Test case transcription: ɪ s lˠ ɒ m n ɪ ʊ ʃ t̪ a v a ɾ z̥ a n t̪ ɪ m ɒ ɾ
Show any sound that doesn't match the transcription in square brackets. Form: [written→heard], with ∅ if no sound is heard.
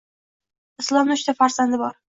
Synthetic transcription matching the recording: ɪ s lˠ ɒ m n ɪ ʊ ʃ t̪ a [v→f] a ɾ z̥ a n [t̪→d̪] ɪ [m→b] ɒ ɾ